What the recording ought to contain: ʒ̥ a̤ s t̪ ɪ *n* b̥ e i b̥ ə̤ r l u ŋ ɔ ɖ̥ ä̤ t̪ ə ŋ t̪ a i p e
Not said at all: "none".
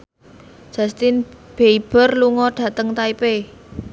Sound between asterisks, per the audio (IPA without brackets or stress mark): n